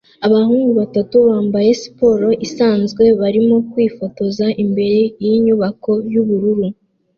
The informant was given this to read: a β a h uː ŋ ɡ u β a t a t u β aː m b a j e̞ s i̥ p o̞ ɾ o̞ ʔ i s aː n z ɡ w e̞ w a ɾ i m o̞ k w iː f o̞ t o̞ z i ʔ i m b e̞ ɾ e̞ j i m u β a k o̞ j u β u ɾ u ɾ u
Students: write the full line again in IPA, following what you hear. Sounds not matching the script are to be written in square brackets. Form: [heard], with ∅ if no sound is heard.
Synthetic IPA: a β a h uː ŋ ɡ u β a t a t u β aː m b a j e̞ s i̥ p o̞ ɾ o̞ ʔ i s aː n z ɡ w e̞ [β] a ɾ i m o̞ k w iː f o̞ t o̞ z [a] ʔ i m b e̞ ɾ e̞ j i [ɲ] u β a k o̞ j u β u ɾ u ɾ u